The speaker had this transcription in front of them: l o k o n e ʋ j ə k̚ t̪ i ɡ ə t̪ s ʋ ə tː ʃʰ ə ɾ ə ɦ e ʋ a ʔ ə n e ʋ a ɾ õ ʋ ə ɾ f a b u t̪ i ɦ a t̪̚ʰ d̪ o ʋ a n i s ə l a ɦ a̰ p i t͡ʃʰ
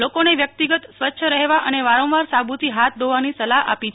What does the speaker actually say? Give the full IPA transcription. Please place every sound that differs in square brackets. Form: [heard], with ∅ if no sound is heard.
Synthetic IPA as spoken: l o k o n e ʋ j ə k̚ t̪ i ɡ ə t̪ s ʋ ə tː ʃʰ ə ɾ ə ɦ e ʋ a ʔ ə n e ʋ a ɾ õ ʋ [a] ɾ [s] a b u t̪ i ɦ a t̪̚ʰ d̪ o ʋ a n i s ə l a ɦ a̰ p i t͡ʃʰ